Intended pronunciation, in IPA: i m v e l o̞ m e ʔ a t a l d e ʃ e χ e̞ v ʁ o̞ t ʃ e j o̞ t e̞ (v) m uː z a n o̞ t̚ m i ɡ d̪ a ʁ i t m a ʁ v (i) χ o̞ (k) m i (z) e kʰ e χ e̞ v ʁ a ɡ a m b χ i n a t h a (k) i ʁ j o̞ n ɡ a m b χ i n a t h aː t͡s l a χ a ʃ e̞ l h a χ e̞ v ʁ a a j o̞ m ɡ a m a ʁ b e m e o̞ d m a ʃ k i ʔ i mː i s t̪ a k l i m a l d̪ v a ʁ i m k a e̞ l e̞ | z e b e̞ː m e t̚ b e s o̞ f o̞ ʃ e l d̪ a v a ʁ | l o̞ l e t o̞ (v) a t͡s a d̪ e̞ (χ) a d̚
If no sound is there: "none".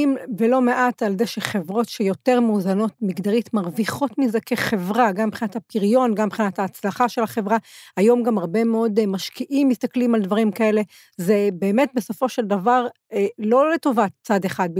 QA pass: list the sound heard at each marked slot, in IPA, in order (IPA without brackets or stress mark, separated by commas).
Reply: ʁ, i, t, z, p, v, χ